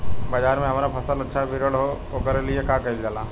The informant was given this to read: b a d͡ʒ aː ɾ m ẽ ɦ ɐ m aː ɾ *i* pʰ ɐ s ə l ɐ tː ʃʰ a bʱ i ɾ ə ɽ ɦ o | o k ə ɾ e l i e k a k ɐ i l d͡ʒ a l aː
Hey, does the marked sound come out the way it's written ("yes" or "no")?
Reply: no